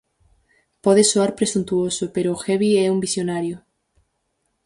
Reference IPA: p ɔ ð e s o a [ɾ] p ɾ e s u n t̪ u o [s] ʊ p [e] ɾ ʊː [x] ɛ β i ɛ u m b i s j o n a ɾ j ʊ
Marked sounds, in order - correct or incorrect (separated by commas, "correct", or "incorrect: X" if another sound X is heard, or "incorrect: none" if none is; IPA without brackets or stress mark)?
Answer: correct, correct, correct, correct